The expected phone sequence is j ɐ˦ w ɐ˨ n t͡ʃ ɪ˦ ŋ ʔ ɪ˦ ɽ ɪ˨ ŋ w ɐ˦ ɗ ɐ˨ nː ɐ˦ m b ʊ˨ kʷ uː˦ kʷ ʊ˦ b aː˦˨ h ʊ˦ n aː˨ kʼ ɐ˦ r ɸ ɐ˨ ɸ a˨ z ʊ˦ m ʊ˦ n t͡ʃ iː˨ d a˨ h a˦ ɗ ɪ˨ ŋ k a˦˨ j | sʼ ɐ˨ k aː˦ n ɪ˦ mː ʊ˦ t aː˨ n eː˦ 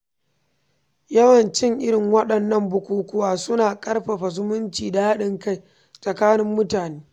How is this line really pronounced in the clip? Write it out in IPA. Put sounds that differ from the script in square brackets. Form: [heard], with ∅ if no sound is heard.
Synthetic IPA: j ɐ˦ w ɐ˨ n t͡ʃ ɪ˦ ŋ ʔ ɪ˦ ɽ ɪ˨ ŋ w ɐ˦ ɗ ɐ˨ nː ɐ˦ m b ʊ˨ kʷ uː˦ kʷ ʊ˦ [w] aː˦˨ [s] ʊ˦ n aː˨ kʼ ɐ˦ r ɸ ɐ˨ ɸ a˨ z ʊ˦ m ʊ˦ n t͡ʃ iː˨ d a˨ h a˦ ɗ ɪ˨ ŋ k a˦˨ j | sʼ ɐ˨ k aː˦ n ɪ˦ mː ʊ˦ t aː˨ n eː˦